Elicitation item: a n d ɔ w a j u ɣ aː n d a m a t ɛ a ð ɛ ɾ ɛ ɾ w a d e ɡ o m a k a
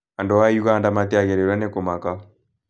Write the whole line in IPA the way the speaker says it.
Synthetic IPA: a n d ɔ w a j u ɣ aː n d a m a t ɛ a ɣ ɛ ɾ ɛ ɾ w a n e k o m a k a